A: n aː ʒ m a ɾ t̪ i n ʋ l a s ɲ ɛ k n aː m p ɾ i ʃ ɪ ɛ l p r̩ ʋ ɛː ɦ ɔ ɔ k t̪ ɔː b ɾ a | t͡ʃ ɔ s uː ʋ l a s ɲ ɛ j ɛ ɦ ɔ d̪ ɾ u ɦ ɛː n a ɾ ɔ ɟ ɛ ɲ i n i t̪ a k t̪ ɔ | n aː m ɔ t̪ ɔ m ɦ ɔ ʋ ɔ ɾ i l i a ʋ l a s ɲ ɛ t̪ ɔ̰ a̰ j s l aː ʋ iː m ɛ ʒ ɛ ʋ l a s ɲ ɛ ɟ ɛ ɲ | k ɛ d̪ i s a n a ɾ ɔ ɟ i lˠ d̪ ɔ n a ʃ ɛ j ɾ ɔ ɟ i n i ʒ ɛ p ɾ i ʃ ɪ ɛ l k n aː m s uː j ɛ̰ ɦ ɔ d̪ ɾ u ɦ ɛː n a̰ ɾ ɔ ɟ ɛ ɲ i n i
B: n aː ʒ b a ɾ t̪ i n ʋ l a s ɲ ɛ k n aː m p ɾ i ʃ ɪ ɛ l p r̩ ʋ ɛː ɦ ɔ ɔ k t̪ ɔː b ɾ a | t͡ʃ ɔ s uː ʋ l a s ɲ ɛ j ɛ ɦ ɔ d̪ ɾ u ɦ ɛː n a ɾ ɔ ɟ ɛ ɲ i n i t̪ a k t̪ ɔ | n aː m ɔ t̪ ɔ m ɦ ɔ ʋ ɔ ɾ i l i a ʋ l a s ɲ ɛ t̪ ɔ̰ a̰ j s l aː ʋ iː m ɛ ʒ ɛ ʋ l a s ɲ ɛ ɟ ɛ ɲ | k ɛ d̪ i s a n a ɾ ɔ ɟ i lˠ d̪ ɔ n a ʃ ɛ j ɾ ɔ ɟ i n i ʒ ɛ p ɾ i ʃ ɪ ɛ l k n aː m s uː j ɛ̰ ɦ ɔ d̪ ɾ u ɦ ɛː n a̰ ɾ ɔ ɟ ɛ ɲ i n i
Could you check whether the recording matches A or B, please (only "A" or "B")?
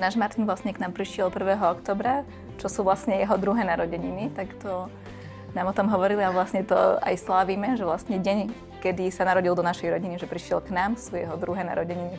A